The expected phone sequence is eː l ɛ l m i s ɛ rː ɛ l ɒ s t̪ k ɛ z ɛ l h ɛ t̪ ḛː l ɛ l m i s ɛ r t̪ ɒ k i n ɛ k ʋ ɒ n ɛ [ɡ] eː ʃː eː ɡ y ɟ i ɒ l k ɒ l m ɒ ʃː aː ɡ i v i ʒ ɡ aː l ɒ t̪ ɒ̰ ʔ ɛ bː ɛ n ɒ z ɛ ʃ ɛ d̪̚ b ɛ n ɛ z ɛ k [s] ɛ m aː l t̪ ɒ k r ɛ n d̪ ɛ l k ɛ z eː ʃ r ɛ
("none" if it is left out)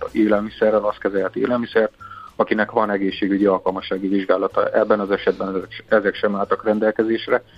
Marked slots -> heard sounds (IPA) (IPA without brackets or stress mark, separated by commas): ɡ, ʃ